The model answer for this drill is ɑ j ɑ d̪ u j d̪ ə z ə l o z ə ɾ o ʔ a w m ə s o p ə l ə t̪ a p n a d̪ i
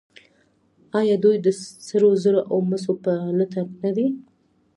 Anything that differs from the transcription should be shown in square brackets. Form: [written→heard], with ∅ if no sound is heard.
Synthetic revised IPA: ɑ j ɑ d̪ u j d̪ ə [z→s] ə [l→ɾ] o z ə ɾ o ʔ a w m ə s o p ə l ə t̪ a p n a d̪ i